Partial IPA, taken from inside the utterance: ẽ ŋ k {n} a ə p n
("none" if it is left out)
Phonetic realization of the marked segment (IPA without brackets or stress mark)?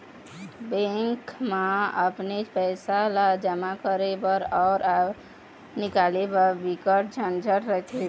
m